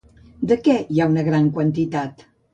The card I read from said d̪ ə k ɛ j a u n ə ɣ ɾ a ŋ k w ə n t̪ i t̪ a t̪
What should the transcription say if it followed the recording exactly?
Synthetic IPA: d̪ ə k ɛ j a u n ə ɣ ɾ a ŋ k w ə n t̪ i t̪ a t̪